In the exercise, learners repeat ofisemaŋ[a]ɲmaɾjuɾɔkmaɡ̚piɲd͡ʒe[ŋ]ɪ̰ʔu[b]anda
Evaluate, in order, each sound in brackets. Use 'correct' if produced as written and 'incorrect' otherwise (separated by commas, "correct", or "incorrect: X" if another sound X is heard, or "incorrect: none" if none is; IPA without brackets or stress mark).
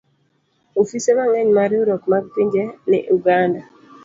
incorrect: ɛ, incorrect: n, incorrect: ɡ